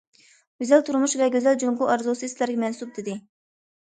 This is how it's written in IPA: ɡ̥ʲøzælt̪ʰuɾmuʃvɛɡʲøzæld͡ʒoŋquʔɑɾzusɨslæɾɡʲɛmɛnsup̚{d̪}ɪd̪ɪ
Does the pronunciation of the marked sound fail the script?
no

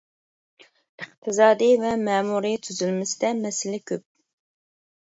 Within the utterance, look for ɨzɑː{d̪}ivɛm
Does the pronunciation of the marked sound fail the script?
no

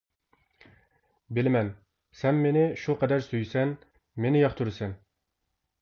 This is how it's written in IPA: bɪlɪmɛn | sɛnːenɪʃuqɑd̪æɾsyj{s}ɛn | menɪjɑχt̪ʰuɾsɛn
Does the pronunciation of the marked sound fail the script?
no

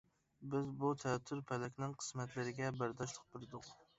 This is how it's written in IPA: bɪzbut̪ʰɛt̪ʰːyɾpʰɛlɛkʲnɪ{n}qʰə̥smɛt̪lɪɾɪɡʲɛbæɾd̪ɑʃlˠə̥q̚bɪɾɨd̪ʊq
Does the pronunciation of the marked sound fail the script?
yes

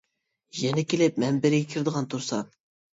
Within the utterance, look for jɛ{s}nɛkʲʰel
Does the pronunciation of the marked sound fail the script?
yes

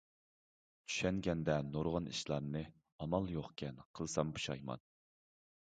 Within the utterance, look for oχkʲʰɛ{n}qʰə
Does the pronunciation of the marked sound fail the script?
no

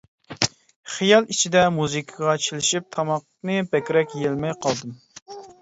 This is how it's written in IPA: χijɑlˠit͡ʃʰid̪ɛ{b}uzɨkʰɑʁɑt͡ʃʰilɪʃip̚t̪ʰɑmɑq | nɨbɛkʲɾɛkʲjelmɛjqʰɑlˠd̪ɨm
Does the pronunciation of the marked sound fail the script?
yes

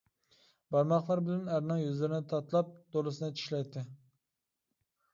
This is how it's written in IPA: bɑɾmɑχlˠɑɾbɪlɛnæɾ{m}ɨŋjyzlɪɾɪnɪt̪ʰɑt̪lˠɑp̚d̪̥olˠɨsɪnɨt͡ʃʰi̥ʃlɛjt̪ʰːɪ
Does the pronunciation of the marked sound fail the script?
yes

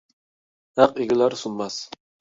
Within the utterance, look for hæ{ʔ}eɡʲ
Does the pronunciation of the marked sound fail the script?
yes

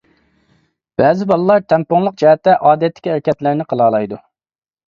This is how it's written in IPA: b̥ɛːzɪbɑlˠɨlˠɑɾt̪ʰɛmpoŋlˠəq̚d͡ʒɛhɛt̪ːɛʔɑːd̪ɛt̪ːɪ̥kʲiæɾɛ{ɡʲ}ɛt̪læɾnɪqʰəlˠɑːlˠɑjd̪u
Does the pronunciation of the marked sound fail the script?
yes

